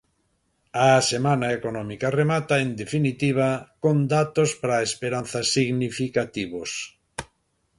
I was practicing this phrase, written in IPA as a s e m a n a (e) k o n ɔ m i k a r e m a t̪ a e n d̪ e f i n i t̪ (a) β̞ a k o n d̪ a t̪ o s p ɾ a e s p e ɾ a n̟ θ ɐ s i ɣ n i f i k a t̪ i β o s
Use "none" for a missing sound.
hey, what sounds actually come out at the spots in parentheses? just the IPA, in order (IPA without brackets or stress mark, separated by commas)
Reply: e, i